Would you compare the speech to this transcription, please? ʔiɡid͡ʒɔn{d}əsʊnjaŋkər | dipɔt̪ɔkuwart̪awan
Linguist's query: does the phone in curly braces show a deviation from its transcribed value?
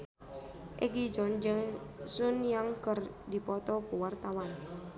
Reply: yes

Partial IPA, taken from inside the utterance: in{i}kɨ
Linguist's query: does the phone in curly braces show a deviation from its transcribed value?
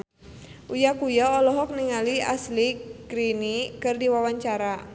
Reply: no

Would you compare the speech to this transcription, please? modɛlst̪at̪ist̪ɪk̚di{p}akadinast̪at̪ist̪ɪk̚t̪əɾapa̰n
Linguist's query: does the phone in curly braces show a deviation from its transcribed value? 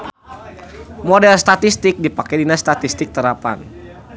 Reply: no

